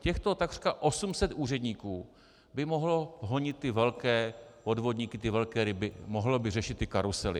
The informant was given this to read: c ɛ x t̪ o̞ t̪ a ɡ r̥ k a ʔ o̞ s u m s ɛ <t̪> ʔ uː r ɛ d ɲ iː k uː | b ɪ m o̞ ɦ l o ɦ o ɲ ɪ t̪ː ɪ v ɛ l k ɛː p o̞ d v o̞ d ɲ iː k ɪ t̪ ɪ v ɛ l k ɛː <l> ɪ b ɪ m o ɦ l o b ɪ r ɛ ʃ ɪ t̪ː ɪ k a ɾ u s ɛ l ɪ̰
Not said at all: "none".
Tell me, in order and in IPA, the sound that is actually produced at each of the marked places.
t̪, ɾ

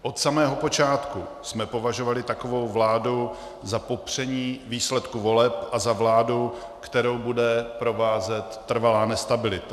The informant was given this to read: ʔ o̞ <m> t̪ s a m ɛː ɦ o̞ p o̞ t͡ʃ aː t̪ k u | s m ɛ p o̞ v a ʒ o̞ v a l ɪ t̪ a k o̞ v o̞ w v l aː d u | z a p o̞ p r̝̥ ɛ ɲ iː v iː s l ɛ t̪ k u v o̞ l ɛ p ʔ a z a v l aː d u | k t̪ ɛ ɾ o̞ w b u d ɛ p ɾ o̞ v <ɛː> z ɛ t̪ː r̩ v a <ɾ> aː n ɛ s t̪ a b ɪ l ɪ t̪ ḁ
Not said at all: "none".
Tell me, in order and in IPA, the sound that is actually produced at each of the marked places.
none, aː, l

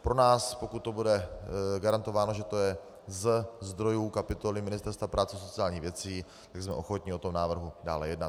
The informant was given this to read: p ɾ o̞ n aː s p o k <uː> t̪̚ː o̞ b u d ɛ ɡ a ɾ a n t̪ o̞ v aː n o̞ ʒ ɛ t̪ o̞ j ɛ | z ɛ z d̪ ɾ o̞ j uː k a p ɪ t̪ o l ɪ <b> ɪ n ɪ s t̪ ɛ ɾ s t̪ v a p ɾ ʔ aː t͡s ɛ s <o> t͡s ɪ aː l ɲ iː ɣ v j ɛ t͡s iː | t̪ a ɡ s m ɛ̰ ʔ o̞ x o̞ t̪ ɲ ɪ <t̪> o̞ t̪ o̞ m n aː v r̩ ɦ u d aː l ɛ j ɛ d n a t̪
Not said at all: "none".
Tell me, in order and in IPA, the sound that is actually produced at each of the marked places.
u, m, o, none

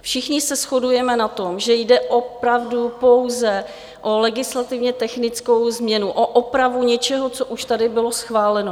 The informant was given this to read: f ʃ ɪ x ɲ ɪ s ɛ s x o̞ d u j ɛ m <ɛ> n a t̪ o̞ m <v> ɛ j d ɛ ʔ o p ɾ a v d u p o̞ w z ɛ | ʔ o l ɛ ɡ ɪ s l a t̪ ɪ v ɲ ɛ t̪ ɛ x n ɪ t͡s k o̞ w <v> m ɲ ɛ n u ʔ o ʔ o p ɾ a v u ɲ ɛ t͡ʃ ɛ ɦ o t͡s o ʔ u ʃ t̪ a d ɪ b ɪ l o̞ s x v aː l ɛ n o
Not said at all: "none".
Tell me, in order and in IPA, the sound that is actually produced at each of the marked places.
ɛ, ʒ, z

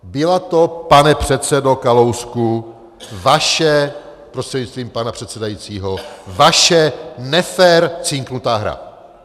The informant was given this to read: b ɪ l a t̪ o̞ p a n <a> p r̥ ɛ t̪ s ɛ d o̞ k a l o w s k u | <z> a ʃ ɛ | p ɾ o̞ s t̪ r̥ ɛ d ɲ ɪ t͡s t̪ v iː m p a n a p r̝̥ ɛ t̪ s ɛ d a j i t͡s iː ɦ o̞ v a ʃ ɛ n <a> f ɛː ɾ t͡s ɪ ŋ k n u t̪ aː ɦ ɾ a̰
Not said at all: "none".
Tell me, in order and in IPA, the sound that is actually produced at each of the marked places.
ɛ, v, ɛ

